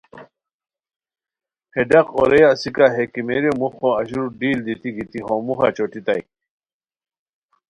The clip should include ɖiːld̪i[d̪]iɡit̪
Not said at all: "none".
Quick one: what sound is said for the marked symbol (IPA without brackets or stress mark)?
t̪